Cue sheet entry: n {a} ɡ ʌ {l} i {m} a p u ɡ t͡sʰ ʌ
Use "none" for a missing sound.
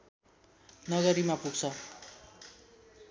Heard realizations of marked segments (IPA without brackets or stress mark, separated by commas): ʌ, ɾ, m